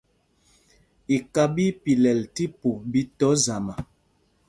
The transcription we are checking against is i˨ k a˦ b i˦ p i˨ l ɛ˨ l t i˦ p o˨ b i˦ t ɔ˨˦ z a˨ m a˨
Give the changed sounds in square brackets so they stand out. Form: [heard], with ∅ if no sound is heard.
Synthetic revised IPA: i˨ k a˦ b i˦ p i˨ l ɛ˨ l t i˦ p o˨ b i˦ t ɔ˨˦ z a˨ m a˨